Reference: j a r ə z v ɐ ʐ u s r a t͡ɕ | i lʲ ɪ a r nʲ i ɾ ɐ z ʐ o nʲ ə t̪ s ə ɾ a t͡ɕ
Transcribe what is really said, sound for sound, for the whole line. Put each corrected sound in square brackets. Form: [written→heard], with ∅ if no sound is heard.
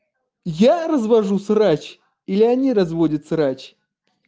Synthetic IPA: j a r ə z v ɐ ʐ u s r a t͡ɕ | i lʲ ɪ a [r→∅] nʲ i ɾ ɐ z [ʐ→v] o [nʲ→dʲ] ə t̪ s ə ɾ a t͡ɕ